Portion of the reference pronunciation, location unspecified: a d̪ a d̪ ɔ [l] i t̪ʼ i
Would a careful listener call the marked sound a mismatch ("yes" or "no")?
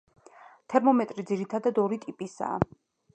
yes